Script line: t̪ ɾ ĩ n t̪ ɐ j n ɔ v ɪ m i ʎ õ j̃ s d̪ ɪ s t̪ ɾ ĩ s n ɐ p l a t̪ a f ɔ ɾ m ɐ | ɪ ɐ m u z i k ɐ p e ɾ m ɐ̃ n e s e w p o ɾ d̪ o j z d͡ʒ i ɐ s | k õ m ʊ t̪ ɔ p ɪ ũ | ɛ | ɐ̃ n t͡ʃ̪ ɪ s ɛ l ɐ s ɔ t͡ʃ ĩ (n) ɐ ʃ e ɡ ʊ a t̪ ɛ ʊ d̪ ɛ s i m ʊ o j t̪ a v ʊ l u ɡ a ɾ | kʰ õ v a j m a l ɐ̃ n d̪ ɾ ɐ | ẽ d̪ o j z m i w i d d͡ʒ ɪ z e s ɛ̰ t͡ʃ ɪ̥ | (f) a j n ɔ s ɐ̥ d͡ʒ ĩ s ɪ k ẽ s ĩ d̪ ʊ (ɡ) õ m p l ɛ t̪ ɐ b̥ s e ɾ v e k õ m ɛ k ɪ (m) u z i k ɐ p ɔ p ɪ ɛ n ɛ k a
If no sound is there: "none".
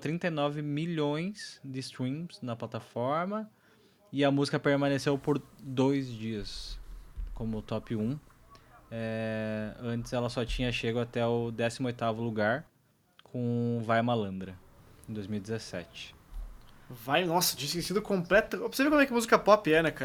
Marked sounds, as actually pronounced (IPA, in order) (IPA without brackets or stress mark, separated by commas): ɲ, v, k, m